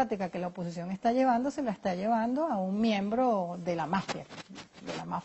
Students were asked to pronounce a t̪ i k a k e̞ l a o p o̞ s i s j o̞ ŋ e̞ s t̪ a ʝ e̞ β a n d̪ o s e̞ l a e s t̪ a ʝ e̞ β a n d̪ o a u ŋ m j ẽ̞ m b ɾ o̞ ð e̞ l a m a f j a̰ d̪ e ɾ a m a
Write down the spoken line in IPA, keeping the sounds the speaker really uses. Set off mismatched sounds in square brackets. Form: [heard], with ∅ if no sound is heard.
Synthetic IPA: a t̪ i k a k e̞ l a o p o̞ s i s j o̞ ŋ e̞ s t̪ a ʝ e̞ β a n d̪ o s e̞ l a e s t̪ a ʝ e̞ β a n d̪ o a u ŋ m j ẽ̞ m b ɾ o̞ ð e̞ l a m a f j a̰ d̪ e [l] a m a